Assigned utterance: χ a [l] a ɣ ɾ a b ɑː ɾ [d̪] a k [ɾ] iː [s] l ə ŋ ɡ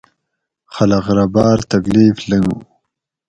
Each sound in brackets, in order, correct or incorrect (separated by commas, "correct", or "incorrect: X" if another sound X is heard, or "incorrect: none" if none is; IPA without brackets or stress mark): correct, incorrect: t̪, incorrect: l, incorrect: f